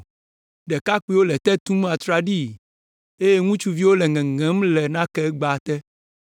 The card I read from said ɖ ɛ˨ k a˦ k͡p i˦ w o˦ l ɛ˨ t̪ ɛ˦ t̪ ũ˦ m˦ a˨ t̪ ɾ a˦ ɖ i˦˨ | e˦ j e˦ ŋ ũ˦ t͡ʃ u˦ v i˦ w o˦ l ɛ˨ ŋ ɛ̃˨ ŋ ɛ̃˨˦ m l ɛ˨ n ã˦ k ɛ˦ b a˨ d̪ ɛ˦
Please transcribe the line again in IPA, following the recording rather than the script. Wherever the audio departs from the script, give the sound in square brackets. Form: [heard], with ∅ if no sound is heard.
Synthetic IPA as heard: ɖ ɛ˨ k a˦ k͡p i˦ w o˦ l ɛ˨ t̪ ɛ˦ t̪ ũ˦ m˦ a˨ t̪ ɾ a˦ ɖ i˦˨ | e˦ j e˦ ŋ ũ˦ t͡ʃ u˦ v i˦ w o˦ l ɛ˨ ŋ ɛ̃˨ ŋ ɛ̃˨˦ m l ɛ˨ n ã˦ k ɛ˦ [ɡ͡b] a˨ [t̪] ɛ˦